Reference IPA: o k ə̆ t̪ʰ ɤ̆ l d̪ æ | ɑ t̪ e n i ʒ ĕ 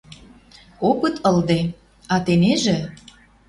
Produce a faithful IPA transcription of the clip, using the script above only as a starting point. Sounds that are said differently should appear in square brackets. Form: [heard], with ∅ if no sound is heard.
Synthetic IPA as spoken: o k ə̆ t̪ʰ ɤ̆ l d̪ [e] | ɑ t̪ e n [e] ʒ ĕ

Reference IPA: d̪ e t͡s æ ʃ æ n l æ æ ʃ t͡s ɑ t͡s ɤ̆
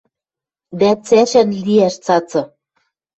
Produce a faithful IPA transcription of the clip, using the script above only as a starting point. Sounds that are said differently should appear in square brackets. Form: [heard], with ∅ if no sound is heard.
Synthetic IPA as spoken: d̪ [æ] t͡s æ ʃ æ n l [i] æ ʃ t͡s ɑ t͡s ɤ̆

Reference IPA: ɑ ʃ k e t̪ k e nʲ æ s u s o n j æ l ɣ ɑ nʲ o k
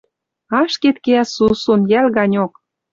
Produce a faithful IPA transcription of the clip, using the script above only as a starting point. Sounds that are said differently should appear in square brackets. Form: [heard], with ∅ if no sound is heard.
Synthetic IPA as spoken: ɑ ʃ k e t̪ k e [∅] æ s u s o n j æ l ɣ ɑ nʲ o k

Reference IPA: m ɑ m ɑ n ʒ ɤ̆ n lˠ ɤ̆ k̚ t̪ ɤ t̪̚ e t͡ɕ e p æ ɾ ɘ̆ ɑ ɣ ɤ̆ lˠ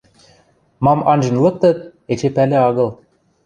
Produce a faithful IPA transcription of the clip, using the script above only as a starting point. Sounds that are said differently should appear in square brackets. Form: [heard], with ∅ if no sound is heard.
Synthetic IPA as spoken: m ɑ m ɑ n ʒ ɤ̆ n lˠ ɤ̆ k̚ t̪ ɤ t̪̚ e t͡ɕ e p æ [l] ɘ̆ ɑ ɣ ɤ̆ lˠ

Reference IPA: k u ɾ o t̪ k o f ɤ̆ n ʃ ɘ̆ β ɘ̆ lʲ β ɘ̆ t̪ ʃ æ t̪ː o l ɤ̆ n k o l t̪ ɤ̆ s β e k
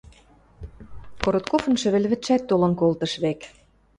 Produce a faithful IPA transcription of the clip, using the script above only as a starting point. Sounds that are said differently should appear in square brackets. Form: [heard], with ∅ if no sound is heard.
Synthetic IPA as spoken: k [o] ɾ o t̪ k o f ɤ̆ n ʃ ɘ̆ β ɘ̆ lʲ β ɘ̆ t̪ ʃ æ t̪ː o l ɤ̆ n k o l t̪ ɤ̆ [ʃ] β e k

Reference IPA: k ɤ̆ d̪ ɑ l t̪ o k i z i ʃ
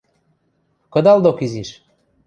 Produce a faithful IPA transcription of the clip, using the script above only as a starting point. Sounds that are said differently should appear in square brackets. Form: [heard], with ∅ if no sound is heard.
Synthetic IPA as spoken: k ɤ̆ d̪ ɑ l [d̪] o k i z i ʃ

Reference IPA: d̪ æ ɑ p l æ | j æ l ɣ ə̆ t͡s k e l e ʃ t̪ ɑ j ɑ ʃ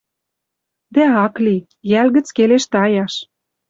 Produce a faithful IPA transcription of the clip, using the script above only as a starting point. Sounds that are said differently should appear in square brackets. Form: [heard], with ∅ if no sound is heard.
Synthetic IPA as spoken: d̪ æ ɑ [k] l [i] | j æ l ɣ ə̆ t͡s k e l e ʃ t̪ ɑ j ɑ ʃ

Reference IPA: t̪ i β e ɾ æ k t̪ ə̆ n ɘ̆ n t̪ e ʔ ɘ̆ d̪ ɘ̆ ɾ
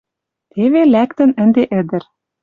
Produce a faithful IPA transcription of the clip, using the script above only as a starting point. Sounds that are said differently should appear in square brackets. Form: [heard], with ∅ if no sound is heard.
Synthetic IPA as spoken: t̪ [e] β e [l] æ k t̪ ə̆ n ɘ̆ n [d̪] e ʔ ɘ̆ d̪ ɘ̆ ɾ

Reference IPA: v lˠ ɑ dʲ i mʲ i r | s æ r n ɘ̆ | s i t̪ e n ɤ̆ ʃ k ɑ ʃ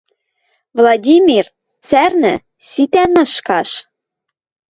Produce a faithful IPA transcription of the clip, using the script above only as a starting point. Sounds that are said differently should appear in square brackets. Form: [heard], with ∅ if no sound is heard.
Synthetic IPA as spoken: v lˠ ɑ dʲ i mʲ i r | [t͡s] æ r n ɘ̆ | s i t̪ [æ] n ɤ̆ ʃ k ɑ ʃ

